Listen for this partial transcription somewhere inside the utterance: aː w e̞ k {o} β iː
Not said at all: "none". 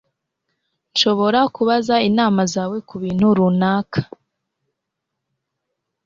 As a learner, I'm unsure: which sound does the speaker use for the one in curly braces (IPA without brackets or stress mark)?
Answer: u